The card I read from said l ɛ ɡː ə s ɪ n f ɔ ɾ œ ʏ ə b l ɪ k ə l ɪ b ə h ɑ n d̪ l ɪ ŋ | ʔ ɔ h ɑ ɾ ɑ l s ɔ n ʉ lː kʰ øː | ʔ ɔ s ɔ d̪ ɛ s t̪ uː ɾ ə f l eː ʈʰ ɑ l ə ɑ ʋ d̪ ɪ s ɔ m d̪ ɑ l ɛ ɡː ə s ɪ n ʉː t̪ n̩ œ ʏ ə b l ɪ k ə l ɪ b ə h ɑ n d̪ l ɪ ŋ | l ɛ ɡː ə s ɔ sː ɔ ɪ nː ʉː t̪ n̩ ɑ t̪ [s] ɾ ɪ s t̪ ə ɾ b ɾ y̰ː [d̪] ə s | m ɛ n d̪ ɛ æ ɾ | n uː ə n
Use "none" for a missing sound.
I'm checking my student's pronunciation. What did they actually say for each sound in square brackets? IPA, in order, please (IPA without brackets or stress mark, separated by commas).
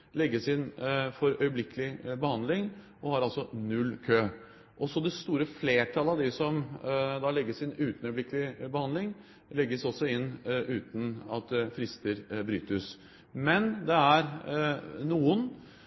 f, t̪